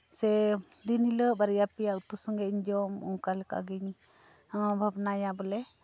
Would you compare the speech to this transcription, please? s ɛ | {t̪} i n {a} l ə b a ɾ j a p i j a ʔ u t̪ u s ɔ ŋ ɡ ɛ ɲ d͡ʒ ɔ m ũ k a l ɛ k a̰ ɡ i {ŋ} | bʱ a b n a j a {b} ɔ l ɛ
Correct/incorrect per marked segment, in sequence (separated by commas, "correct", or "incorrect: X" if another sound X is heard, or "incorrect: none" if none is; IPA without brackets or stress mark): incorrect: d̪, incorrect: i, incorrect: ɲ, correct